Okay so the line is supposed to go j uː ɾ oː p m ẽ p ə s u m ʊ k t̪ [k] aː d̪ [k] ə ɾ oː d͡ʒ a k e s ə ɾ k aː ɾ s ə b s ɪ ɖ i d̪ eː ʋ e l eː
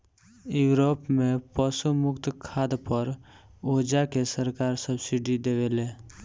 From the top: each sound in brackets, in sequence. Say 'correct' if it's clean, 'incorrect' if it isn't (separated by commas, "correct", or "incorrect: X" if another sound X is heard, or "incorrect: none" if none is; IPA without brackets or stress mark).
incorrect: kʰ, incorrect: p